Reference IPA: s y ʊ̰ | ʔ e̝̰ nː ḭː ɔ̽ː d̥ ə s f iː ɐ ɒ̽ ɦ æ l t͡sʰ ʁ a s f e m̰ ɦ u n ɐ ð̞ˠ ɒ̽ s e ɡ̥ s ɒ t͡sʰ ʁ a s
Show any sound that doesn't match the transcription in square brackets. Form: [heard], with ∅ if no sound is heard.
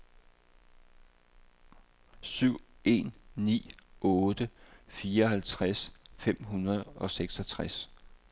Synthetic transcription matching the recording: s y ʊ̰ | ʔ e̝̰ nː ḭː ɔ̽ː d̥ ə [∅] f iː ɐ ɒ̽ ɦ æ l t͡sʰ ʁ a s f e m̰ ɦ u n ɐ ð̞ˠ ɒ̽ s e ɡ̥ s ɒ t͡sʰ ʁ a s